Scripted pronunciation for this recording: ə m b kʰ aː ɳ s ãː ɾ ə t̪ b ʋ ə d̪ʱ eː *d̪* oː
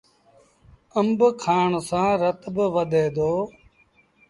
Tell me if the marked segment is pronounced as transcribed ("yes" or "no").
yes